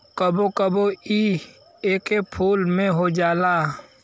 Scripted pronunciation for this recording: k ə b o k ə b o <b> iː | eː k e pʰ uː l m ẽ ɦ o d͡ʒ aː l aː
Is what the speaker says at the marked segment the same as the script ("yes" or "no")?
no